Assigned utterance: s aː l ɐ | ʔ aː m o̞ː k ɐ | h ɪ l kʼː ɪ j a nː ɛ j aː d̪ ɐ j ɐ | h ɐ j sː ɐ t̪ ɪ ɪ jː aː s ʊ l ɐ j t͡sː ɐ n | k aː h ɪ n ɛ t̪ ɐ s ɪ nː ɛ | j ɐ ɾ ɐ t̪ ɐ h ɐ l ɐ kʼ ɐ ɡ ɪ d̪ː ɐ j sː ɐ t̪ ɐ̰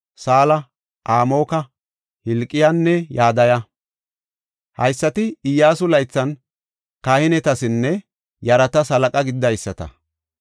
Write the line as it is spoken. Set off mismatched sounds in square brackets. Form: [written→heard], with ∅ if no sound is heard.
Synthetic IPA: s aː l ɐ | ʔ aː m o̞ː k ɐ | h ɪ l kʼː ɪ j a nː ɛ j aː d̪ ɐ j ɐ | h ɐ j sː ɐ t̪ ɪ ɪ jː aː s ʊ l ɐ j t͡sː ɐ n | k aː h ɪ n ɛ t̪ ɐ s ɪ nː ɛ | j ɐ ɾ ɐ t̪ ɐ [h→s] ɐ l ɐ kʼ ɐ ɡ ɪ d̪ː ɐ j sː ɐ t̪ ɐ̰